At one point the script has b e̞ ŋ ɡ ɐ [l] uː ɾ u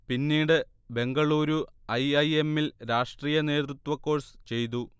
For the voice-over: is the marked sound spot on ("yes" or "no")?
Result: no